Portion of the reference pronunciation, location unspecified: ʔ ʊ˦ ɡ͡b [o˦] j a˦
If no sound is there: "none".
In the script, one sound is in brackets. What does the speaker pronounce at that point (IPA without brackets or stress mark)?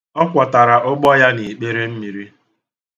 ɔ˦